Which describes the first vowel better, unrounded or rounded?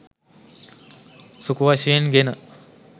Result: rounded